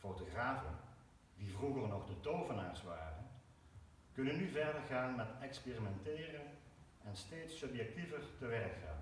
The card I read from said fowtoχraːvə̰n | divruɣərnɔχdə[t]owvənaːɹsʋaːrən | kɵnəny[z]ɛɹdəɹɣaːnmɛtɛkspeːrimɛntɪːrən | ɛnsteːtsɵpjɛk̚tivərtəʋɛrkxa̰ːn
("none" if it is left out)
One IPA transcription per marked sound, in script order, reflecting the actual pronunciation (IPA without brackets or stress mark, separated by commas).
t, v